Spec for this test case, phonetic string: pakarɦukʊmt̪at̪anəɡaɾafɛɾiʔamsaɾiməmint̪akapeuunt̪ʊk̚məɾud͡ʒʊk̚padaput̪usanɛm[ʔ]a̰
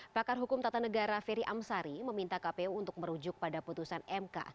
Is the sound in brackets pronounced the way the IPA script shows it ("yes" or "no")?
no